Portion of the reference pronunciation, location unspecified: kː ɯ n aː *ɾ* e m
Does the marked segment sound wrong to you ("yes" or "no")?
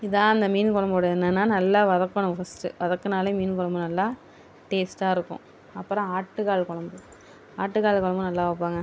yes